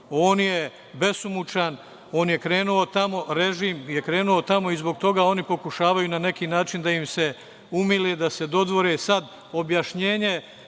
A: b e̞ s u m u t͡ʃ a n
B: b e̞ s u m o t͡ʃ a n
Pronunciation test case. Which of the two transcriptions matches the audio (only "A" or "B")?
A